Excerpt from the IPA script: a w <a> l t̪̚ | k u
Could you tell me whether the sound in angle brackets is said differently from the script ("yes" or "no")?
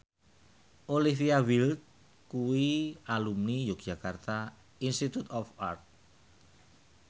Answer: yes